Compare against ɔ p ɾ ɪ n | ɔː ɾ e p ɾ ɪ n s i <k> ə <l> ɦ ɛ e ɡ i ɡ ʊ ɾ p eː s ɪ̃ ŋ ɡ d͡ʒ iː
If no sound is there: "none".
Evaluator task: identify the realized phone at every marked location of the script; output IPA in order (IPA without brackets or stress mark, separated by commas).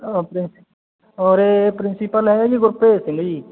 p, l